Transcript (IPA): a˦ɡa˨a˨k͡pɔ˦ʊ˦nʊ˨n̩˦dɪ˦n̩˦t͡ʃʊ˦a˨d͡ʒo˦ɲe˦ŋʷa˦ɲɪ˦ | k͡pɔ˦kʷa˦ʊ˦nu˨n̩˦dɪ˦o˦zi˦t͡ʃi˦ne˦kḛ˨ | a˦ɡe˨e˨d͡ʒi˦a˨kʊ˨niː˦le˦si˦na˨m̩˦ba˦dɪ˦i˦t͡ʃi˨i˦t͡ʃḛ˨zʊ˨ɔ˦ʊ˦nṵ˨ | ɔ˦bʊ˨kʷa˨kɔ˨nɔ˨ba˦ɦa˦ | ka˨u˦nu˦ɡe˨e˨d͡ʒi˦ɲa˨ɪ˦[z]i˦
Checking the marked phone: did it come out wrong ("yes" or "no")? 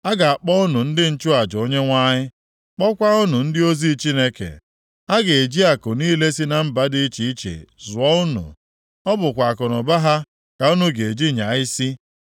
yes